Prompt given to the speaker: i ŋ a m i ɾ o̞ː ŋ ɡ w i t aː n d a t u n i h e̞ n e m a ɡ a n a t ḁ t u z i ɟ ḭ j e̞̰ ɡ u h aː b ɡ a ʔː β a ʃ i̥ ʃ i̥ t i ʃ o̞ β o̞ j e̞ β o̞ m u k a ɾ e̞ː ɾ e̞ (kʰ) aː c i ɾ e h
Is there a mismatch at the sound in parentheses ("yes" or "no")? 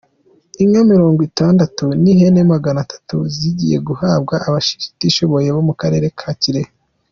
no